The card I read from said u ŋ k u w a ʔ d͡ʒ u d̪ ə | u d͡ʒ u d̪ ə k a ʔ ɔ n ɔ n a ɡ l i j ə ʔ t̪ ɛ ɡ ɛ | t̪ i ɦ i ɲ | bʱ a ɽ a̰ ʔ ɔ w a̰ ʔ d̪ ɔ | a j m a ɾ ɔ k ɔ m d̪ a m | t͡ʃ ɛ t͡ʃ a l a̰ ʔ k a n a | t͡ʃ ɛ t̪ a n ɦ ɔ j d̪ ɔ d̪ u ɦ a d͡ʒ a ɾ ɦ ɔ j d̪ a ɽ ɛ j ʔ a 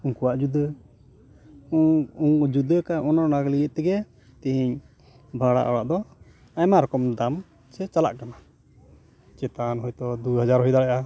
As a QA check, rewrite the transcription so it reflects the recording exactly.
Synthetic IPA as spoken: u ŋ k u w a ʔ d͡ʒ u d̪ ə | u d͡ʒ u d̪ ə k a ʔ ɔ n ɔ n a ɡ l i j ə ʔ t̪ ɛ ɡ ɛ | t̪ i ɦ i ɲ | bʱ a ɽ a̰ ʔ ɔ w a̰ ʔ d̪ ɔ | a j m a ɾ ɔ k ɔ m d̪ a m | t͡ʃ ɛ t͡ʃ a l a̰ ʔ k a n a | t͡ʃ ɛ t̪ a n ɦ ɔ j t̪ ɔ d̪ u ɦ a d͡ʒ a ɾ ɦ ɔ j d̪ a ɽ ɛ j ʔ a